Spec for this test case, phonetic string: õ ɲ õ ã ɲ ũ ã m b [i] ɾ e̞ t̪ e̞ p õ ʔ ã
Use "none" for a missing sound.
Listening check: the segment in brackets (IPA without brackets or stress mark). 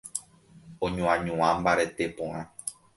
a